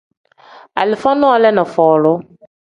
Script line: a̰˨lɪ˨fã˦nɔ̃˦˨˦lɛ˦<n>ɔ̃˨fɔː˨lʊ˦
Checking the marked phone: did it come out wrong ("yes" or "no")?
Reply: no